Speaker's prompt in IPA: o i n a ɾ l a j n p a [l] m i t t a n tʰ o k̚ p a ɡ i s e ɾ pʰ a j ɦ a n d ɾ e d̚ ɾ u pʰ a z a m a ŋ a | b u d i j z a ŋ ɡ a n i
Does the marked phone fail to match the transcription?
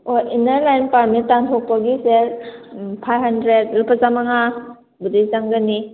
yes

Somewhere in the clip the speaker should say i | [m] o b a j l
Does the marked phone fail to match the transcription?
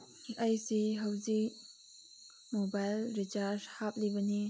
no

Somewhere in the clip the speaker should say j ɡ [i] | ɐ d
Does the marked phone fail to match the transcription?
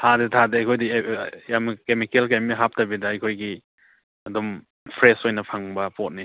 no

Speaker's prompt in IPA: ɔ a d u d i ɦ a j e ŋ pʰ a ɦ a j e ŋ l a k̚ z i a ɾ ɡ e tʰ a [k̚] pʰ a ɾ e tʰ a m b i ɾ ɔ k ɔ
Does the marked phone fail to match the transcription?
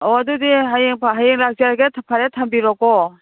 yes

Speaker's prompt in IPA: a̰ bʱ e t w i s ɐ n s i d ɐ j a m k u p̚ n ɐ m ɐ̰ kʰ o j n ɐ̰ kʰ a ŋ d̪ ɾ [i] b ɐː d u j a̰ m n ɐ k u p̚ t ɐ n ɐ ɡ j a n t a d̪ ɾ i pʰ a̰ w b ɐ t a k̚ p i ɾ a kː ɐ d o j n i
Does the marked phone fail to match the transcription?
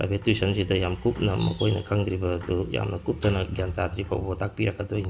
no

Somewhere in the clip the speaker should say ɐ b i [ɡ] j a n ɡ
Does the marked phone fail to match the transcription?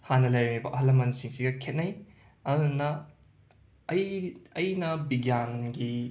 no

